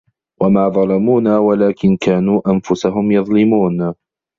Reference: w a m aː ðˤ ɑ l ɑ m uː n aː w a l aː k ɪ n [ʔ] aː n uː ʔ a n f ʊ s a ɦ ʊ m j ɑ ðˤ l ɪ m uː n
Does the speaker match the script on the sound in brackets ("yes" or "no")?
no